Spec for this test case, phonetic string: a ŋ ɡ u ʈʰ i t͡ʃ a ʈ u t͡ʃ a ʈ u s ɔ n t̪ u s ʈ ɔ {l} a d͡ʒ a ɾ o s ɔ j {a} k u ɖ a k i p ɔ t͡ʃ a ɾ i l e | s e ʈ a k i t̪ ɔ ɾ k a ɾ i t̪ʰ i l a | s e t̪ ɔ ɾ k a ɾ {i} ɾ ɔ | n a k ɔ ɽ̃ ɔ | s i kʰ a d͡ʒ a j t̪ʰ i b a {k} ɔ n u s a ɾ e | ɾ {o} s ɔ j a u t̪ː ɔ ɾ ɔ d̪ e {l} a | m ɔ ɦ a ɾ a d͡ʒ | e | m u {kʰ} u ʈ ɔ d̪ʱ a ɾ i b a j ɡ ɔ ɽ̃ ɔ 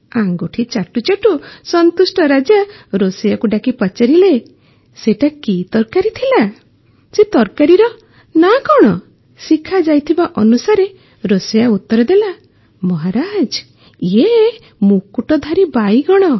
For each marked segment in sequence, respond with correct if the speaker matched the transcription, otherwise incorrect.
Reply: incorrect, correct, correct, incorrect, correct, correct, incorrect

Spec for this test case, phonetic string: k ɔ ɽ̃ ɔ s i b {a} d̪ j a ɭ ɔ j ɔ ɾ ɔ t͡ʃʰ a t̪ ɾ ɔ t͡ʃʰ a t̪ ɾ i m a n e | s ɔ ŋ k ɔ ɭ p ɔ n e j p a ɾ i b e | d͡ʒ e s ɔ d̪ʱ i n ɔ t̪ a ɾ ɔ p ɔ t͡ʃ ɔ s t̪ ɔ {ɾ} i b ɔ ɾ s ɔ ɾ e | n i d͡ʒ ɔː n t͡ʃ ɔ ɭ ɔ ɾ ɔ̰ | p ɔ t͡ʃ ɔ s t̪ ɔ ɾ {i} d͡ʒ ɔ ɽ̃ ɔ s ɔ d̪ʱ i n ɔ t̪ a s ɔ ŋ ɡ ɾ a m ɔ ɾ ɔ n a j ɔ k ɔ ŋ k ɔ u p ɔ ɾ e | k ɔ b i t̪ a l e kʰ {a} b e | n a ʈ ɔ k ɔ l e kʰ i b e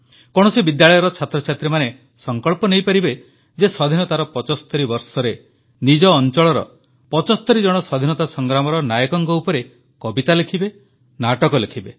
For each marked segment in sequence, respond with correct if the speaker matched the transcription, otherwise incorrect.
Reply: incorrect, correct, correct, incorrect

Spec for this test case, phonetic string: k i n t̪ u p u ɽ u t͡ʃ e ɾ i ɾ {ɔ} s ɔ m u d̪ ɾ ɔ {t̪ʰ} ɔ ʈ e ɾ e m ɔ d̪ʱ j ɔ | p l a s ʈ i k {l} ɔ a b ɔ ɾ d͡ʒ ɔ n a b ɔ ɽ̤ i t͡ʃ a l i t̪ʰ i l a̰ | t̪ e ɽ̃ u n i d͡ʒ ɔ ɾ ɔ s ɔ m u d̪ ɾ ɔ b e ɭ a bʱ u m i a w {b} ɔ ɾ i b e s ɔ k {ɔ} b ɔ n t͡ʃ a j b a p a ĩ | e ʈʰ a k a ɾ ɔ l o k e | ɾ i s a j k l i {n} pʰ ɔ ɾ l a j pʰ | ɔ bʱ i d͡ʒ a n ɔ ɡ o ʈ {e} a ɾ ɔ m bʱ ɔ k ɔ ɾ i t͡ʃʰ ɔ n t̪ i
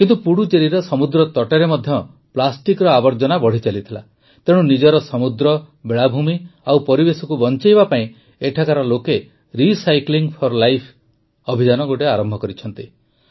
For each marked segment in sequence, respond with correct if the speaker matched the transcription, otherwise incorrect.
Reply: correct, incorrect, incorrect, incorrect, incorrect, incorrect, correct

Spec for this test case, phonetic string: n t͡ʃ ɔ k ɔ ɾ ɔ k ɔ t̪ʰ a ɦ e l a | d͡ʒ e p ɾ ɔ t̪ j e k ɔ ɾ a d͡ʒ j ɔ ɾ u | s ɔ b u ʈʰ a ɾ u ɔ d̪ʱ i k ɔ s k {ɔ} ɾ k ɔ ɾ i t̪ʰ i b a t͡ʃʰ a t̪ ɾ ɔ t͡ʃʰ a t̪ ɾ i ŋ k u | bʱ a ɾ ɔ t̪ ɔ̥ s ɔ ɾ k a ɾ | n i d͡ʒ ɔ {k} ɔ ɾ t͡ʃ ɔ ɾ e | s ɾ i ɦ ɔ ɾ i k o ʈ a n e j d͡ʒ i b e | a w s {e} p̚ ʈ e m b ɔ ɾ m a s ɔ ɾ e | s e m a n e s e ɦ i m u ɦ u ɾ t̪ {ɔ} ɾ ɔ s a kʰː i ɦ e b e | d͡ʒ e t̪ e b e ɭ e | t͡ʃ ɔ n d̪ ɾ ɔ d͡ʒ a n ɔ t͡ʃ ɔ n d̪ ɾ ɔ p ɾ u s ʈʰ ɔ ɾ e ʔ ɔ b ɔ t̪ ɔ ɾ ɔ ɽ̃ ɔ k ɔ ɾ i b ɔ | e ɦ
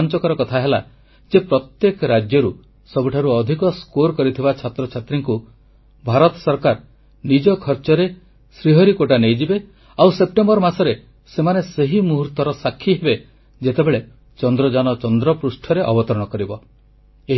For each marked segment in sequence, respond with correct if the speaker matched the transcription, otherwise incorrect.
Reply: incorrect, incorrect, correct, correct

